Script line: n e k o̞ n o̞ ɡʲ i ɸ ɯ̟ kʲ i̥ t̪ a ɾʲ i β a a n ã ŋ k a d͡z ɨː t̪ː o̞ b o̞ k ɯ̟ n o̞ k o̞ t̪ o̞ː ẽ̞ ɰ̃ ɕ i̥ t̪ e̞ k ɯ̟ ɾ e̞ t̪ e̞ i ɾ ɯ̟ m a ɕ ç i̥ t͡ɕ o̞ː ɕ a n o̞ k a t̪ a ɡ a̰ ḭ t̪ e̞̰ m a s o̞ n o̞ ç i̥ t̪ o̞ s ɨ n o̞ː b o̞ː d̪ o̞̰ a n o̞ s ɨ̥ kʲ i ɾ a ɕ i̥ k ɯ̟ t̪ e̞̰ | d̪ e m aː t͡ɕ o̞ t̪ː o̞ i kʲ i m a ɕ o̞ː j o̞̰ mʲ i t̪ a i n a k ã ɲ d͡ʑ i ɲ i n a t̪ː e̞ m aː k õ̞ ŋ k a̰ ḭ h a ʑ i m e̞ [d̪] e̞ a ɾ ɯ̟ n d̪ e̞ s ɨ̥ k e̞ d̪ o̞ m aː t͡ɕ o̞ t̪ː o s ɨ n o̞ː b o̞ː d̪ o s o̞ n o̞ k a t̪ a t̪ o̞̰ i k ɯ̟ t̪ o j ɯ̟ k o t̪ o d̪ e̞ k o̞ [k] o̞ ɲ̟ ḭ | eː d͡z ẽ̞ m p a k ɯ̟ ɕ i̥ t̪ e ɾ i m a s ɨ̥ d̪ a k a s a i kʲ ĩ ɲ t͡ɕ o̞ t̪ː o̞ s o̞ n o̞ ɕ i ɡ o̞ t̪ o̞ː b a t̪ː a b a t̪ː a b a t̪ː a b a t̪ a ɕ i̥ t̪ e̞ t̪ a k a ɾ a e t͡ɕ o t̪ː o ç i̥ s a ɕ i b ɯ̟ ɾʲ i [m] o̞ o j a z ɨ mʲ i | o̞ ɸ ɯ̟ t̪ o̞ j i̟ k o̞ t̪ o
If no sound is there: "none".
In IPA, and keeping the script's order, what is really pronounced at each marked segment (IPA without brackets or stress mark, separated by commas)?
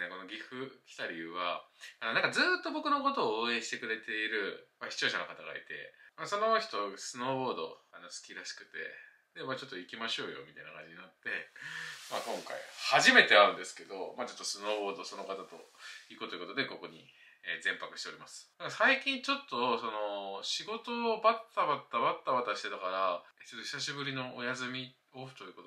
t̪, k, n